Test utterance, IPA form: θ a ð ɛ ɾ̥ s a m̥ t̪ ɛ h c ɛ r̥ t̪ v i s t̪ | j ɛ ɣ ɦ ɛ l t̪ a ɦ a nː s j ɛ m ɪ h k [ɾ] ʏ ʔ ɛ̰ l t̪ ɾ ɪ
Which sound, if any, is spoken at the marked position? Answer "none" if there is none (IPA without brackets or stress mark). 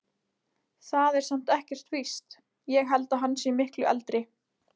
l